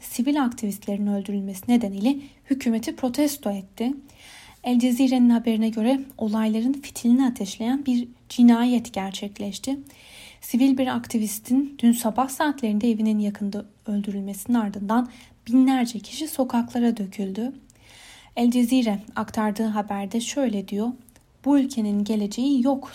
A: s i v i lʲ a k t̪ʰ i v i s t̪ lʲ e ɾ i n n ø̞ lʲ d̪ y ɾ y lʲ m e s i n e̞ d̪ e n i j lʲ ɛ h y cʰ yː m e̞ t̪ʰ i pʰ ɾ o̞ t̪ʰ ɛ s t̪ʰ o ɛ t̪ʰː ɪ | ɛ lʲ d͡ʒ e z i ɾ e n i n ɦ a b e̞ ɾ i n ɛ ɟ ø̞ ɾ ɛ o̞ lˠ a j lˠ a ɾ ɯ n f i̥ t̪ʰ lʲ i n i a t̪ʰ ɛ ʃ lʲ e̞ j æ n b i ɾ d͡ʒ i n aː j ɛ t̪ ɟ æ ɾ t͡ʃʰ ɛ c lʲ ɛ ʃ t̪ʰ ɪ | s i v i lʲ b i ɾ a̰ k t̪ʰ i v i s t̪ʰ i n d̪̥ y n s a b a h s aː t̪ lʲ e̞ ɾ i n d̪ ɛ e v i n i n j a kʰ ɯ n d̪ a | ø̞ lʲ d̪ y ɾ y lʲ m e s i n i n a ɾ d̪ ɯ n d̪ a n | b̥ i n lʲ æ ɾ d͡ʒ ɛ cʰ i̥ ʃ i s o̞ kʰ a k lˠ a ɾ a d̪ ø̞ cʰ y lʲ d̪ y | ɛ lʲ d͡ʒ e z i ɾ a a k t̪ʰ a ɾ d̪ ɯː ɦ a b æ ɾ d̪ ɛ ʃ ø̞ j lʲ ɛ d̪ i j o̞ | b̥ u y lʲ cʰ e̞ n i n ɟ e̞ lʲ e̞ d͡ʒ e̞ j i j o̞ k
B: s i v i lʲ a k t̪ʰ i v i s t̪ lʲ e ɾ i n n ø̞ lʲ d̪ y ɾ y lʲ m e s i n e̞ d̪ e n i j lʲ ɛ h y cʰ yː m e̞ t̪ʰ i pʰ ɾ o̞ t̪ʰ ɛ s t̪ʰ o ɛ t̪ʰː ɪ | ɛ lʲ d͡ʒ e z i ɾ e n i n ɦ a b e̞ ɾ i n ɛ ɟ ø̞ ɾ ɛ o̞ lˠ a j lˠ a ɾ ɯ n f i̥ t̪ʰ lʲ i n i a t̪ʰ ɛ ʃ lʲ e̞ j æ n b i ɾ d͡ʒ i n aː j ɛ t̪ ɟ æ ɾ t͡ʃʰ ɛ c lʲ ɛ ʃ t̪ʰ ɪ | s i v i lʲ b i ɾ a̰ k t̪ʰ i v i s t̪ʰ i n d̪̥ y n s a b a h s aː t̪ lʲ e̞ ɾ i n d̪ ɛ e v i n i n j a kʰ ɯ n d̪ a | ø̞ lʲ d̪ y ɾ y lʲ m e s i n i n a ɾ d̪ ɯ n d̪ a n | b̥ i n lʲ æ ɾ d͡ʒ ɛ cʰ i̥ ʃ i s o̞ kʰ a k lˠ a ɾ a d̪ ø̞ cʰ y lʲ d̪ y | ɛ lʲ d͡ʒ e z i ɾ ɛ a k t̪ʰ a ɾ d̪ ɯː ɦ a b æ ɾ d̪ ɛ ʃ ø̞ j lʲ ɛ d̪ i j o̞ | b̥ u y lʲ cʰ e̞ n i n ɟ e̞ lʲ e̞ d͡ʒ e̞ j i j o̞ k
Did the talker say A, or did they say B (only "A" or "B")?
B